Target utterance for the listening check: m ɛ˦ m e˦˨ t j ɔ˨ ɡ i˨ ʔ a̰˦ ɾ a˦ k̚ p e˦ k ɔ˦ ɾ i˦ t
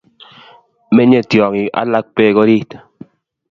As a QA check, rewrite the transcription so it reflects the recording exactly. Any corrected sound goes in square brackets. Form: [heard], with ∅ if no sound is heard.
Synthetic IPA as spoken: m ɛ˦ [ɲ] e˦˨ t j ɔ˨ [ŋ] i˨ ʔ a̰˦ [l] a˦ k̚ p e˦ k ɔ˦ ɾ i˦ t